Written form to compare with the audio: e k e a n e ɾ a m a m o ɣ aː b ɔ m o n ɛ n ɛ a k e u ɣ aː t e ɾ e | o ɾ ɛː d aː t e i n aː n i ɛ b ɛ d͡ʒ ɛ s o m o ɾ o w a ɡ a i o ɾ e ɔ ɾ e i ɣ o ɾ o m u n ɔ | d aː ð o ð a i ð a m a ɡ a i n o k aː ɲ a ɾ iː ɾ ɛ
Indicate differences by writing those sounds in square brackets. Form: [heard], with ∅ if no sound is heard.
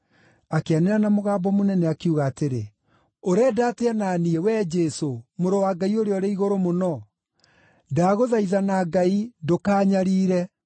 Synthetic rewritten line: [a] k e a n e ɾ a [n] a m o ɣ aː b ɔ m o n ɛ n ɛ a k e u ɣ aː t e ɾ e | o ɾ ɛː d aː t e [a] n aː n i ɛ [w] ɛ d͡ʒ ɛ s o m o ɾ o w a ɡ a i o ɾ e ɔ ɾ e i ɣ o ɾ o m [o] n ɔ | d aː [ɣ] o ð a i ð a [n] a ɡ a i [d] o k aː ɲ a ɾ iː ɾ ɛ